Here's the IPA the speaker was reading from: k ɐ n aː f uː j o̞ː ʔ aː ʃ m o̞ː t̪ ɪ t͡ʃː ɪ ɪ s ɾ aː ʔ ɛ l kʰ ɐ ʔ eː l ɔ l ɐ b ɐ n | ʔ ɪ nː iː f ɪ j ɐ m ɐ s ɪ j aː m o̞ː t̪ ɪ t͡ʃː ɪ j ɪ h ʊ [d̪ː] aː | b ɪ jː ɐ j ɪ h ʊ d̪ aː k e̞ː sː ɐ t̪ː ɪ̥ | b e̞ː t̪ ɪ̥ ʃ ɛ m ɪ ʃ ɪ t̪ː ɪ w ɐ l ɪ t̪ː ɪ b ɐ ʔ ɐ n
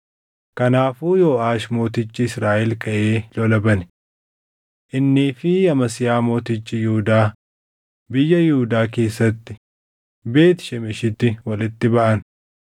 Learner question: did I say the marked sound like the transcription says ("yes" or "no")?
no